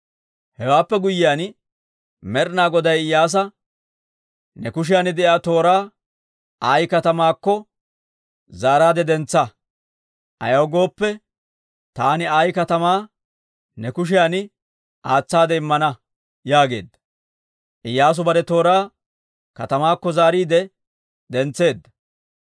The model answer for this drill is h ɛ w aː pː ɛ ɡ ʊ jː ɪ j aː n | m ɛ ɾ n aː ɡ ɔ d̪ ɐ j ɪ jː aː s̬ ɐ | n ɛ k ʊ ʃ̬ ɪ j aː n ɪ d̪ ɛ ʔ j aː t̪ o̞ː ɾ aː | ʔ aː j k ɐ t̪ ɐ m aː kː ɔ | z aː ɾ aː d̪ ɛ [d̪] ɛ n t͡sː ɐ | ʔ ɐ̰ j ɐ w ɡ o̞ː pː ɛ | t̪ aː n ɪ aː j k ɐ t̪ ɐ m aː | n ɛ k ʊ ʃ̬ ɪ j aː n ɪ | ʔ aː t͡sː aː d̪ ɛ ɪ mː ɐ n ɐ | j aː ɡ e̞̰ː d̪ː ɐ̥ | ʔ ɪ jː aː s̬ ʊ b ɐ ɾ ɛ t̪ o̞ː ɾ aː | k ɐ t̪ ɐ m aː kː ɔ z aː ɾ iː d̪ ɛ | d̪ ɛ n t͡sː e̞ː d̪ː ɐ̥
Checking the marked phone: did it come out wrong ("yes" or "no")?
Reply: no